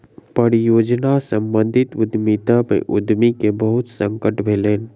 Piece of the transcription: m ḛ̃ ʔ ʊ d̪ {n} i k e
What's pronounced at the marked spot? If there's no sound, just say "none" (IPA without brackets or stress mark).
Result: m